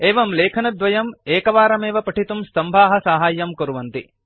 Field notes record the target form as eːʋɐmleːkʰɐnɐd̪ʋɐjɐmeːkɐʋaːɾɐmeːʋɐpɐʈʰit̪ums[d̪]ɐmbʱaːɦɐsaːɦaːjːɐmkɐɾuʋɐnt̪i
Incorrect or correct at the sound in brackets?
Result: incorrect: t̪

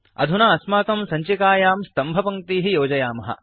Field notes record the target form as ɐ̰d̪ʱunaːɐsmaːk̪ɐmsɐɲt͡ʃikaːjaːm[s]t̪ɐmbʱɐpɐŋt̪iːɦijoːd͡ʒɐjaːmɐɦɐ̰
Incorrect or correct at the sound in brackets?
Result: correct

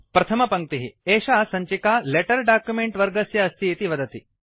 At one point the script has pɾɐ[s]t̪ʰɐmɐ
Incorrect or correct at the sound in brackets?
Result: incorrect: none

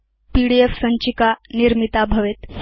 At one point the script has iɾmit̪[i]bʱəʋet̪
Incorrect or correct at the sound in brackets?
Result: incorrect: a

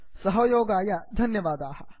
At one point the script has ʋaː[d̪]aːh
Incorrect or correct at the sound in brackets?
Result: correct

